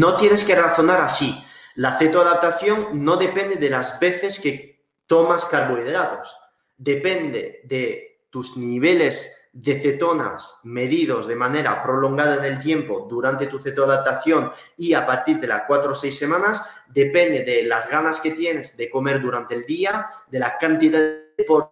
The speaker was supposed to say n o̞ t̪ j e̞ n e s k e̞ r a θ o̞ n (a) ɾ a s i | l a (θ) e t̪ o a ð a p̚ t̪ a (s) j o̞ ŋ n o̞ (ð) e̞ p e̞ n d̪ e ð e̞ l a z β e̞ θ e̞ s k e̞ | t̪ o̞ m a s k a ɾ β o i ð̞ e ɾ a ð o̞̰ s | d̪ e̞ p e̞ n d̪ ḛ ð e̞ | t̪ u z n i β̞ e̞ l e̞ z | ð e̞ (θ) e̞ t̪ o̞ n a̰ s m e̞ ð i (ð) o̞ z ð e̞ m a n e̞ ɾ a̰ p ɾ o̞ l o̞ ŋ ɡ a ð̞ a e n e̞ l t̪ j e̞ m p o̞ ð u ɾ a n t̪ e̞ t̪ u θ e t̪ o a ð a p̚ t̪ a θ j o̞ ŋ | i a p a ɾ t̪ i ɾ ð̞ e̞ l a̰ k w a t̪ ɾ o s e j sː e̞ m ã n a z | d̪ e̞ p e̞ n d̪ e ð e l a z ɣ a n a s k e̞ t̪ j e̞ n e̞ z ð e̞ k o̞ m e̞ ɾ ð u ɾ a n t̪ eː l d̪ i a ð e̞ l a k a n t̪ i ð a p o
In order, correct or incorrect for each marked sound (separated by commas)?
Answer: correct, correct, incorrect, correct, correct, correct